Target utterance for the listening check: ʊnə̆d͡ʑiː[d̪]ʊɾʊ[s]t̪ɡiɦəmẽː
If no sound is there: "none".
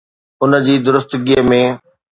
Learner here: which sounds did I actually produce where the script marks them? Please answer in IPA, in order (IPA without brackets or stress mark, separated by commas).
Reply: d̪, s